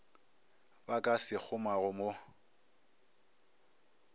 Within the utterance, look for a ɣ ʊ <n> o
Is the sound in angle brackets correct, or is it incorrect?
incorrect